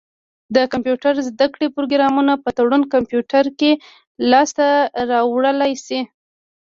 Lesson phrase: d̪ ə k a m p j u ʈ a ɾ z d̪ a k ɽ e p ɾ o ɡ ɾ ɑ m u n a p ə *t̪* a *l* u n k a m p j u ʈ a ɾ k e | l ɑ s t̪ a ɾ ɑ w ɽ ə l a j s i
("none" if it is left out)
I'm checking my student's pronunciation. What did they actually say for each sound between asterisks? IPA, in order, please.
t̪, ɽ

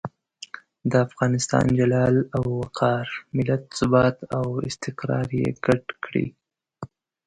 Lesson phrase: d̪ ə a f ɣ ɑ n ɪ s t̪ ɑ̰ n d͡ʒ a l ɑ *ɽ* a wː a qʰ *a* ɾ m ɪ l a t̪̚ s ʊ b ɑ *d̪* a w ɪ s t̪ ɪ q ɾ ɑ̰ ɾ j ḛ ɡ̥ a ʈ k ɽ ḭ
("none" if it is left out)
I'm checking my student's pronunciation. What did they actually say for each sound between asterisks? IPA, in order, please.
l, ɑ, t̪

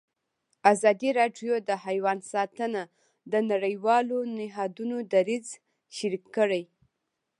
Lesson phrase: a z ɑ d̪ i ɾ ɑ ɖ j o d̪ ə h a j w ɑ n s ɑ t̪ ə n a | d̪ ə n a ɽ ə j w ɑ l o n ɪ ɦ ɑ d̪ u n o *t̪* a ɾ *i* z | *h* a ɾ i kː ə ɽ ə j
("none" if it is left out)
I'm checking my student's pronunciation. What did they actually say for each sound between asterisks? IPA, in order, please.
d̪, i, ʃ

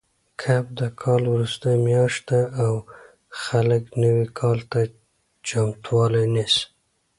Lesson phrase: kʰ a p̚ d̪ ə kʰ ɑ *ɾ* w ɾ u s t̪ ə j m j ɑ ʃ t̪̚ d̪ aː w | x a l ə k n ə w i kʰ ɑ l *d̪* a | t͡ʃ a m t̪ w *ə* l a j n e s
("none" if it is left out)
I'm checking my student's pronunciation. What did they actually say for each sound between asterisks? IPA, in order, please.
l, t̪, ɑ

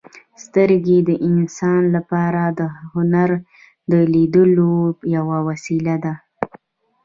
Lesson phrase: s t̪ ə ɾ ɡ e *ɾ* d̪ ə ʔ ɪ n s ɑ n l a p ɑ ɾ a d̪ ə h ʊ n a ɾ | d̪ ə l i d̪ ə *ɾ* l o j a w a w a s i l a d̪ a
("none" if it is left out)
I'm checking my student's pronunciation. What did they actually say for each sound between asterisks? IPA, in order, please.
none, none

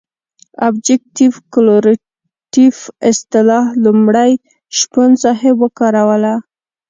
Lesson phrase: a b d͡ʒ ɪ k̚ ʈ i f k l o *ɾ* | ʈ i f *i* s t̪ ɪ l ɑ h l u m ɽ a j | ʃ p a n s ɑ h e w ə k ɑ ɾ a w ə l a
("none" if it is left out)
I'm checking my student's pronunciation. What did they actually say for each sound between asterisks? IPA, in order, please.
ɾ, ɪ

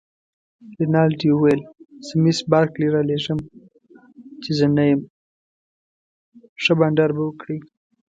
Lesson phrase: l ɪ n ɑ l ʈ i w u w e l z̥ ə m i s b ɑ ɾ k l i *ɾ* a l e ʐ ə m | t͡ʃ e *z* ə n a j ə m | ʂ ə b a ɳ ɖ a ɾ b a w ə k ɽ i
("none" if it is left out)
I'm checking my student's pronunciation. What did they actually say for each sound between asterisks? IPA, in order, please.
ɾ, z

